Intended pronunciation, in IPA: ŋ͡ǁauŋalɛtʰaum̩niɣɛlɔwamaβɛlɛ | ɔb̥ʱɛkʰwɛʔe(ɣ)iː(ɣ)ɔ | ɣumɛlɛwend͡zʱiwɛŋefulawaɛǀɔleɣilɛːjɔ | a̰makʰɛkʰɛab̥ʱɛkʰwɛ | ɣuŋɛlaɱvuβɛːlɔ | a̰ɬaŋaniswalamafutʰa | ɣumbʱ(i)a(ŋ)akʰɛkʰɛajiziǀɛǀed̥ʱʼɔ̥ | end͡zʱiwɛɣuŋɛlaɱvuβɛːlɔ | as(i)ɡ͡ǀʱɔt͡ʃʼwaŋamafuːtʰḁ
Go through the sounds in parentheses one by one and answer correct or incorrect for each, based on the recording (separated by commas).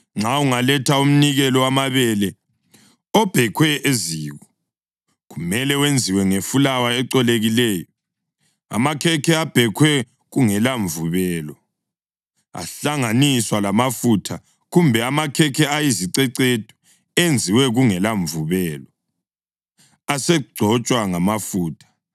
incorrect, correct, incorrect, incorrect, incorrect